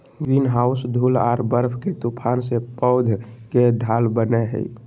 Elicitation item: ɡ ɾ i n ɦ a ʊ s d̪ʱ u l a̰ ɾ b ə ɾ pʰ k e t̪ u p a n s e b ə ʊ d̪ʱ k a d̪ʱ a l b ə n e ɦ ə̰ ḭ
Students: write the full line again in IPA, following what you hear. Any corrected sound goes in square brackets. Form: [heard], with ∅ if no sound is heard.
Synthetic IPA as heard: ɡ ɾ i n ɦ a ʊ s d̪ʱ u l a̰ ɾ b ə ɾ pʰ k e t̪ u [pʰ] a n s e [p] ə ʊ d̪ʱ k [e] d̪ʱ a l b ə n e ɦ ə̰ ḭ

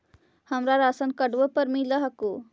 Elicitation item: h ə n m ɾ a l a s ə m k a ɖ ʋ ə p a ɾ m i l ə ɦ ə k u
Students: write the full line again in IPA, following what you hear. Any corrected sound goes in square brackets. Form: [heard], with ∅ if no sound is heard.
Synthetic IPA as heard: h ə [∅] m ɾ a [ɾ] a s ə [n] k [ə] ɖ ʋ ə p [ə] ɾ m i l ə ɦ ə k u

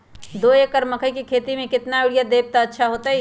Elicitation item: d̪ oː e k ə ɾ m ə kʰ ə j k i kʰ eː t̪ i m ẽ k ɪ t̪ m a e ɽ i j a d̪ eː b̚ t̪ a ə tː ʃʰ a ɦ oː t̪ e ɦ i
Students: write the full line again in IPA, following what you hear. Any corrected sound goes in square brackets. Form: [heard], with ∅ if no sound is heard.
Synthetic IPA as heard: d̪ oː e k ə ɾ m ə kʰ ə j k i kʰ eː t̪ i m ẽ k ɪ t̪ [n] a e ɽ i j a d̪ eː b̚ t̪ a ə tː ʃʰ a ɦ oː t̪ [a] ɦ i

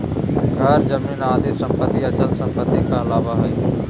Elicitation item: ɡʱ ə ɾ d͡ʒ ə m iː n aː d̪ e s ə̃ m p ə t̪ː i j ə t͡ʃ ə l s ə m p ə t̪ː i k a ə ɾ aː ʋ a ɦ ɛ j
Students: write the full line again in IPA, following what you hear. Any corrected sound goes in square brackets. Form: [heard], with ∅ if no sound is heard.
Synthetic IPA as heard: ɡʱ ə ɾ d͡ʒ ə m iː n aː d̪ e s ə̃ m p ə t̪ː i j [a] t͡ʃ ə l s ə m p ə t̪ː i k a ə [l] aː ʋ a ɦ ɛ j

